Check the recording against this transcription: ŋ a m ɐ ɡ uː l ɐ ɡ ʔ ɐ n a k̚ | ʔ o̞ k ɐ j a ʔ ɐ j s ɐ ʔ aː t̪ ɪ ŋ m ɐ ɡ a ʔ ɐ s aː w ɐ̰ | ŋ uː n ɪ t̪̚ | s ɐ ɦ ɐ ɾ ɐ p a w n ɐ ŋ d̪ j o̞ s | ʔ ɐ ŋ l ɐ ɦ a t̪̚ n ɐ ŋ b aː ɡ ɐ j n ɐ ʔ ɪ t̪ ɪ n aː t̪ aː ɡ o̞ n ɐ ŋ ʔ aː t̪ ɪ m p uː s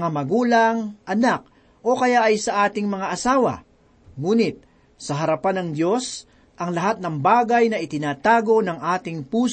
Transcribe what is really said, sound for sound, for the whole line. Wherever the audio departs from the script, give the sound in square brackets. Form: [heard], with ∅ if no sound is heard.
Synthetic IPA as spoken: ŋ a m ɐ ɡ uː l ɐ [ŋ] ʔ ɐ n a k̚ | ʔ o̞ k ɐ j a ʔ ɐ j s ɐ ʔ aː t̪ ɪ ŋ m ɐ [ŋ] a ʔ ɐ s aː w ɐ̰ | ŋ uː n ɪ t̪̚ | s ɐ ɦ ɐ ɾ ɐ p a [∅] n ɐ ŋ d̪ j o̞ s | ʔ ɐ ŋ l ɐ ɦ a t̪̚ n ɐ ŋ b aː ɡ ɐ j n ɐ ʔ ɪ t̪ ɪ n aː t̪ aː ɡ o̞ n ɐ ŋ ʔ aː t̪ ɪ [ŋ] p uː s